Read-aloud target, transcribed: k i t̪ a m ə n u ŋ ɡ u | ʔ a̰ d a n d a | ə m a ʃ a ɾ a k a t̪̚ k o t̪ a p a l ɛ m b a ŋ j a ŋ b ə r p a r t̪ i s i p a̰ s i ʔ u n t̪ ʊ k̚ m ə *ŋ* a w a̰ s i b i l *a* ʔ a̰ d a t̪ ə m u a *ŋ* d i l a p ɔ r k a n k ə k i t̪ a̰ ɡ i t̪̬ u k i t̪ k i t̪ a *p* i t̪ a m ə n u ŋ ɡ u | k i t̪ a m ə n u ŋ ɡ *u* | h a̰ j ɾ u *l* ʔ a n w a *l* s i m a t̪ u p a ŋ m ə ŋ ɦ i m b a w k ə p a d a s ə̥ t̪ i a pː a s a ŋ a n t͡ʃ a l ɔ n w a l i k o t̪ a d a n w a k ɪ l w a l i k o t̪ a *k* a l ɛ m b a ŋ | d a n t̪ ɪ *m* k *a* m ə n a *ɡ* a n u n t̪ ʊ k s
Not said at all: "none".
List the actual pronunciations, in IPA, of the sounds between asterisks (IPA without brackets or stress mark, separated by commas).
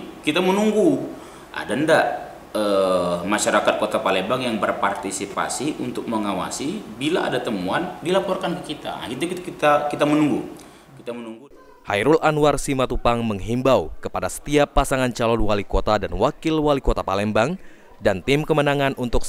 ŋ, a, n, k, u, l, r, p, m, ə, ŋ